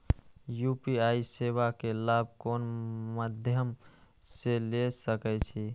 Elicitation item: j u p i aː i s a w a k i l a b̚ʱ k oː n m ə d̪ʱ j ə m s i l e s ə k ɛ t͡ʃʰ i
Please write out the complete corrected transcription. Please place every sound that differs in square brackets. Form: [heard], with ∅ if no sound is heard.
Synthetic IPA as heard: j u p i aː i s [e] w a k [e] l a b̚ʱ k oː n m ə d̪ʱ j ə m s [e] l e s ə k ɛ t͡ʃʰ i